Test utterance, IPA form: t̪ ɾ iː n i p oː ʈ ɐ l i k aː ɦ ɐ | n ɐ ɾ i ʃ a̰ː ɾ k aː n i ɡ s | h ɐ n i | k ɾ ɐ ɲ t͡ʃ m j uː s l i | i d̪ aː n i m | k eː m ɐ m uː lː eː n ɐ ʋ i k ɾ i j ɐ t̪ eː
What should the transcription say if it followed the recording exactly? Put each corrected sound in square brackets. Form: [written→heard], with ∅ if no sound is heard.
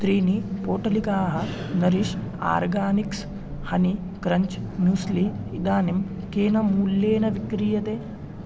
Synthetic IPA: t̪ ɾ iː n i p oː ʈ ɐ l i k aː ɦ ɐ | n ɐ ɾ i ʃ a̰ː ɾ [k→ɡ] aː n i [ɡ→k] s | h ɐ n i | k ɾ ɐ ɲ t͡ʃ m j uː s l i | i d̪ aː n i m | k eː [m→n] ɐ m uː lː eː n ɐ ʋ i k ɾ i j ɐ t̪ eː